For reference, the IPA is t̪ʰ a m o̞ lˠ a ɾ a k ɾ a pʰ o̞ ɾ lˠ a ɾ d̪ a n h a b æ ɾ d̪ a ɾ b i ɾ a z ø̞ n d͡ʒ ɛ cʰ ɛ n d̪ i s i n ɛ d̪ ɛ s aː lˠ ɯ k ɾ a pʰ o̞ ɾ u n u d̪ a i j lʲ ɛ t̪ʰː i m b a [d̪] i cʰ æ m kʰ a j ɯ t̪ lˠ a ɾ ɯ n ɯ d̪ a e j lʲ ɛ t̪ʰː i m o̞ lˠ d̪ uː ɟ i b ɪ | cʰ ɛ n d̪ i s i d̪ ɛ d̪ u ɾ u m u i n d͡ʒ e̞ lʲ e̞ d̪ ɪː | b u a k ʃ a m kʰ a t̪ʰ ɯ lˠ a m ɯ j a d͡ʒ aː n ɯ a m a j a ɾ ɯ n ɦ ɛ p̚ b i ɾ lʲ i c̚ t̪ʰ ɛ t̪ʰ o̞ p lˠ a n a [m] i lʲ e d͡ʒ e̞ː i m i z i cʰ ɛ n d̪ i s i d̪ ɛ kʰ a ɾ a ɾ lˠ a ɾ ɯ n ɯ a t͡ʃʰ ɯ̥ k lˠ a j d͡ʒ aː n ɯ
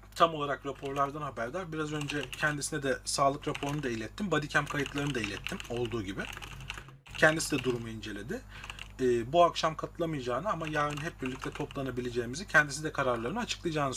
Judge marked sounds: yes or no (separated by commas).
yes, no